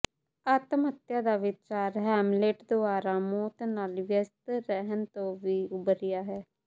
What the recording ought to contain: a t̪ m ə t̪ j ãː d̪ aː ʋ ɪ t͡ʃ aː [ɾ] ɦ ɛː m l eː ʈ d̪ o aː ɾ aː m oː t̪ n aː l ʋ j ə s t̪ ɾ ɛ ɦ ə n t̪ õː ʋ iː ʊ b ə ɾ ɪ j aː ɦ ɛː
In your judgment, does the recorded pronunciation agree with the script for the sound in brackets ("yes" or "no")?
yes